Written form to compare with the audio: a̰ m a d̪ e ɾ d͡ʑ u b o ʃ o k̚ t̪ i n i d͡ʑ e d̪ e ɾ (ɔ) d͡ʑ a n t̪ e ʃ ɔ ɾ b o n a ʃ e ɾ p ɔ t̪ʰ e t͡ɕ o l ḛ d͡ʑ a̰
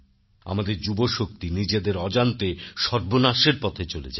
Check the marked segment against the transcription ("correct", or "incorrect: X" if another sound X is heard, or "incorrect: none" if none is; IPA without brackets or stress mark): correct